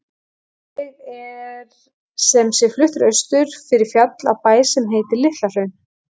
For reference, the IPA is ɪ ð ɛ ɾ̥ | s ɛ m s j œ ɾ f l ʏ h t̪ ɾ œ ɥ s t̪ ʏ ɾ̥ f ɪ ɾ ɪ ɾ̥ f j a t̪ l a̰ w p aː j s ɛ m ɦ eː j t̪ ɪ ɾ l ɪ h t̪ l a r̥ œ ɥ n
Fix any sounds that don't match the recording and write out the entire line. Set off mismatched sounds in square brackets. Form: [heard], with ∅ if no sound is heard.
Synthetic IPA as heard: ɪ ð ɛ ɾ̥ | s ɛ m s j [ɛ] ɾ f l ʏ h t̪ ɾ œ ɥ s t̪ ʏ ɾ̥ f ɪ ɾ ɪ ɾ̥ f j a t̪ l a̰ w p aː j s ɛ m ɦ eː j t̪ ɪ ɾ l ɪ h t̪ l a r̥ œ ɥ n